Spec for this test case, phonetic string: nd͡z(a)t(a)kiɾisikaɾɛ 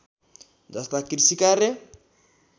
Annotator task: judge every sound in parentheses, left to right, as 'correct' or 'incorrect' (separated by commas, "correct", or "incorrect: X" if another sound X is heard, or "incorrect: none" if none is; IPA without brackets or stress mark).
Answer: correct, correct